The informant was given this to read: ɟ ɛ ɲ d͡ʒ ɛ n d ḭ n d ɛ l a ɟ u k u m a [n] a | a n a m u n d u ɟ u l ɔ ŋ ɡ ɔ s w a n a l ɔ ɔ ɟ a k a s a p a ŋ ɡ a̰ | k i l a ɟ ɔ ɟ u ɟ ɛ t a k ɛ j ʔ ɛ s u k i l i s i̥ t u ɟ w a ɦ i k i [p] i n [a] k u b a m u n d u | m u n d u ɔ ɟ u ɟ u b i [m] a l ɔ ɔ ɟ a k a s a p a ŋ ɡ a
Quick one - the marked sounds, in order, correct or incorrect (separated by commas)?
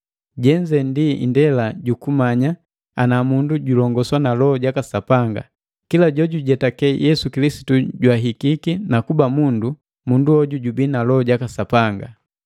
incorrect, incorrect, correct, incorrect